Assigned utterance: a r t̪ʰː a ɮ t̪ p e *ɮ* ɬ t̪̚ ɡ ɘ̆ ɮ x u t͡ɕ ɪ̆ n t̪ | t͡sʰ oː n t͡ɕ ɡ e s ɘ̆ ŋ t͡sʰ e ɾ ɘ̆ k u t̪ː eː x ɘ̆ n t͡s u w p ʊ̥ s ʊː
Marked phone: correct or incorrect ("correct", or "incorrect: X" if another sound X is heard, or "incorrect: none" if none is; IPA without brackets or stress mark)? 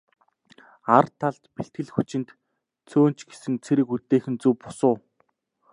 incorrect: none